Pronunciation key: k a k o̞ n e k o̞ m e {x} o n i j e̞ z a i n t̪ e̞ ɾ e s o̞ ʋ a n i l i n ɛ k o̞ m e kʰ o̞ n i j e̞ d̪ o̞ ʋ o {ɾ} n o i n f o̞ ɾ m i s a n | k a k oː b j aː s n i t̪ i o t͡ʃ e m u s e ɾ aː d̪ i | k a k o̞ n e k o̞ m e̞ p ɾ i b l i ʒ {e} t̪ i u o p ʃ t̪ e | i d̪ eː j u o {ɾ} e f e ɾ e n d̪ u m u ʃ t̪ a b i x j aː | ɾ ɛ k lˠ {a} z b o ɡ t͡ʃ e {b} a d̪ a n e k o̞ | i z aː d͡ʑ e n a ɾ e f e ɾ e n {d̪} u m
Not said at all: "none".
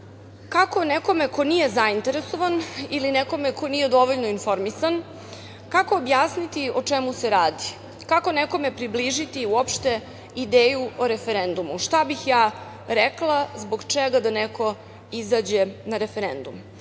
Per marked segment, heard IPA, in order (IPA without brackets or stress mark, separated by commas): k, ʎ, i, ɾ, a, ɡ, d̪